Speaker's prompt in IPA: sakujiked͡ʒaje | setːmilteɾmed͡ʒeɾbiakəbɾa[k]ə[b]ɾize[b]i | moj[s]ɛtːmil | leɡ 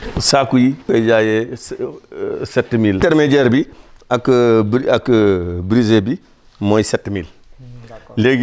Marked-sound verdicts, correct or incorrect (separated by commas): correct, correct, correct, correct